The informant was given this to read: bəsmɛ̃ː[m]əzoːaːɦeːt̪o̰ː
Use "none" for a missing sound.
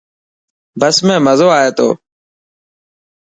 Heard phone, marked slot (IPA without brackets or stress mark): m